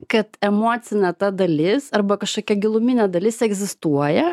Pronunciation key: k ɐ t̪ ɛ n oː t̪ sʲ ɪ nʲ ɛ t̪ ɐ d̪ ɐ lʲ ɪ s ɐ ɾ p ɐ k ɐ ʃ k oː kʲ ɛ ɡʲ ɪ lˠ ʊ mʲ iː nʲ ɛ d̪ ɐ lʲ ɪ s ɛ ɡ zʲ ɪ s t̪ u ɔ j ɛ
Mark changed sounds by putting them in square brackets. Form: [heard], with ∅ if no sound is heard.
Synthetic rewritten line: k ɐ t̪ ɛ [m] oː t̪ sʲ ɪ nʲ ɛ t̪ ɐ d̪ ɐ lʲ ɪ s ɐ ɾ [b] ɐ k ɐ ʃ k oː kʲ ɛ ɡʲ ɪ lˠ ʊ mʲ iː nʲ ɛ d̪ ɐ lʲ ɪ s ɛ ɡ zʲ ɪ s t̪ u ɔ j ɛ